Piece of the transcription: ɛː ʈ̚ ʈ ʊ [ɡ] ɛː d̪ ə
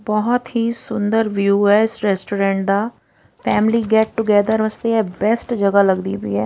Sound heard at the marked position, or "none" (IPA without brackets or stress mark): ɡ